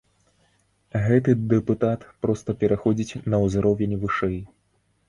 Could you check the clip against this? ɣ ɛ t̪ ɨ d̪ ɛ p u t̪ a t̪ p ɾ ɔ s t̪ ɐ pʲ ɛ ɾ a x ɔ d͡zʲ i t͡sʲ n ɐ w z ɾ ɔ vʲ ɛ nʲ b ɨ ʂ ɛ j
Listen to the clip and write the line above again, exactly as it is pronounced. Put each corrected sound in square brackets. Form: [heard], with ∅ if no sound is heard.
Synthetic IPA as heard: ɣ ɛ t̪ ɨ d̪ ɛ p u t̪ a t̪ p ɾ ɔ s t̪ ɐ pʲ ɛ ɾ a x ɔ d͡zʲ i t͡sʲ n ɐ w z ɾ ɔ vʲ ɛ nʲ [v] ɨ ʂ ɛ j

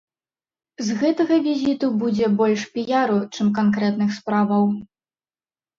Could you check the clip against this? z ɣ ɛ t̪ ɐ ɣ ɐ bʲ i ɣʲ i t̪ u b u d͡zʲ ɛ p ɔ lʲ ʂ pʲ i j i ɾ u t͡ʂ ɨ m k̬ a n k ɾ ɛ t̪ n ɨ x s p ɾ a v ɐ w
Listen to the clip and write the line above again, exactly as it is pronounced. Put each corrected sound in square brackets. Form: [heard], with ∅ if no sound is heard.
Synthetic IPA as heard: z ɣ ɛ t̪ ɐ ɣ ɐ [vʲ] i [zʲ] i t̪ u b u d͡zʲ ɛ [b] ɔ lʲ ʂ pʲ i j [a] ɾ u t͡ʂ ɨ m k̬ a n k ɾ ɛ t̪ n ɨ x s p ɾ a v ɐ w

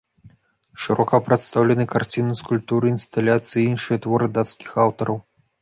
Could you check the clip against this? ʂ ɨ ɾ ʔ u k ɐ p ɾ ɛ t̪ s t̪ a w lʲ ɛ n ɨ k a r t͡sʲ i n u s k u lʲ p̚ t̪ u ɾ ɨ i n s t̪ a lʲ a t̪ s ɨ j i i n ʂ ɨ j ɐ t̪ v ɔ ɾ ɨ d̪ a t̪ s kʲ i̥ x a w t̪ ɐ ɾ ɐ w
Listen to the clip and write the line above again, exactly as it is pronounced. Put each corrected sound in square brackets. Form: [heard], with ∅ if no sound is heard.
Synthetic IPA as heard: ʂ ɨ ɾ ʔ [ɔ] k ɐ p ɾ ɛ t̪ s t̪ a w lʲ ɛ n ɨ k a r t͡sʲ i n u s k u lʲ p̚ t̪ u ɾ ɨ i n s t̪ a lʲ a t̪ s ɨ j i i n ʂ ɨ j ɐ t̪ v ɔ ɾ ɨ d̪ a t̪ s kʲ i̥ x a w t̪ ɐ ɾ ɐ w

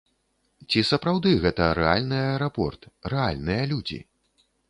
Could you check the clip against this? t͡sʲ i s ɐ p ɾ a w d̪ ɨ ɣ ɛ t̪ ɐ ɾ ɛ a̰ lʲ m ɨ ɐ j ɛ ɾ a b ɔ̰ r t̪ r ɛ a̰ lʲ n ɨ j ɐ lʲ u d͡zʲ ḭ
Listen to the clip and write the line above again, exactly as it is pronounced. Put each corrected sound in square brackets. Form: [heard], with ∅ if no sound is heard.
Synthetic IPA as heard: t͡sʲ i s ɐ p ɾ a w d̪ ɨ ɣ ɛ t̪ ɐ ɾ ɛ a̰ lʲ [n] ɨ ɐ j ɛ ɾ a [p] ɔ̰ r t̪ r ɛ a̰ lʲ n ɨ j ɐ lʲ u d͡zʲ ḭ

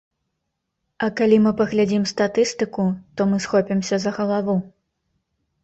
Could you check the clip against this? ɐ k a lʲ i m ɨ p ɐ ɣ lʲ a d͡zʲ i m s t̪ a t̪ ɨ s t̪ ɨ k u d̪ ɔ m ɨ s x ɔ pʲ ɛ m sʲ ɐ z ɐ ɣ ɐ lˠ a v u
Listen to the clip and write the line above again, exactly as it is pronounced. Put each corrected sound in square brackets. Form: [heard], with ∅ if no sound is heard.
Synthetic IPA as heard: ɐ k a lʲ i m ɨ p ɐ ɣ lʲ a d͡zʲ i m s t̪ a t̪ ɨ s t̪ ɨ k u [t̪] ɔ m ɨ s x ɔ pʲ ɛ m sʲ ɐ z ɐ ɣ ɐ lˠ a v u

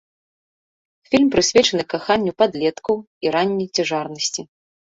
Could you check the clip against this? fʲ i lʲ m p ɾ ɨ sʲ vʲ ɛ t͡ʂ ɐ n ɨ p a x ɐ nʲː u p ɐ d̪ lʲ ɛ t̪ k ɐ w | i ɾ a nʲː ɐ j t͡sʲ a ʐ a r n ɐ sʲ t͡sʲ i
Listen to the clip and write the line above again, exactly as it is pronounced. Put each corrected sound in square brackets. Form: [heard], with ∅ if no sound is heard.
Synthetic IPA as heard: fʲ i lʲ m p ɾ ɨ sʲ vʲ ɛ t͡ʂ ɐ n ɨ [k] a x [a] nʲː u p [a] d̪ lʲ ɛ t̪ k ɐ w | i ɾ a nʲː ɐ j t͡sʲ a ʐ a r n ɐ sʲ t͡sʲ i

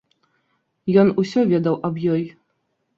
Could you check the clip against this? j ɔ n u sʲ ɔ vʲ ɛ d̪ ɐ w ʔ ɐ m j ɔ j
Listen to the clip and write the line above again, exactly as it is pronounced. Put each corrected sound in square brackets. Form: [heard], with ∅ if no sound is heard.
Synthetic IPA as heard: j ɔ n u sʲ ɔ vʲ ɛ d̪ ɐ w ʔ ɐ [b] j ɔ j

